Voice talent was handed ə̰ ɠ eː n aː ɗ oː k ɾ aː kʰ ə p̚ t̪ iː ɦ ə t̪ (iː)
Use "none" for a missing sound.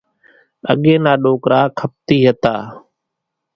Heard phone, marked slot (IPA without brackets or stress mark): aː